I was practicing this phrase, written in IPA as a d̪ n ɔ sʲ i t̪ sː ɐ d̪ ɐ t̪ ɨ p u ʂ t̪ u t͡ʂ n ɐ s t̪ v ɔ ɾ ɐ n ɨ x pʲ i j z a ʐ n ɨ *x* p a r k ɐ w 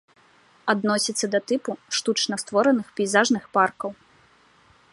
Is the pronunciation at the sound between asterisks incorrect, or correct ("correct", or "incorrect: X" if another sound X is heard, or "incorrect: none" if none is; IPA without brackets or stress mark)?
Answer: correct